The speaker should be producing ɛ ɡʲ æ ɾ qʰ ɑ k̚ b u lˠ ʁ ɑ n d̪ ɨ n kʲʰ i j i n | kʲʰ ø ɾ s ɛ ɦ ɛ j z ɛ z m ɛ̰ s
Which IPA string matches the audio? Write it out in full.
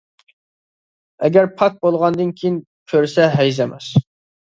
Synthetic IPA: ɛ ɡʲ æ ɾ pʰ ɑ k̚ b o lˠ ʁ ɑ n d̪ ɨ n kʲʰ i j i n | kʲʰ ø ɾ s ɛ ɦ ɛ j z ɛ m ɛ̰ s